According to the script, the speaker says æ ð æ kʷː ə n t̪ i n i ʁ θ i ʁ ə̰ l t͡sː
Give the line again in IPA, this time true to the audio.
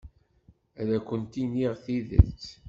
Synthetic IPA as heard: æ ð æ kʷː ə n t̪ i n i ʁ θ i ð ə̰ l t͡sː